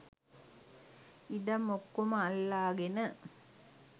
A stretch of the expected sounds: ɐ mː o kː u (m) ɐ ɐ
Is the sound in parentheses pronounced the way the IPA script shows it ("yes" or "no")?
yes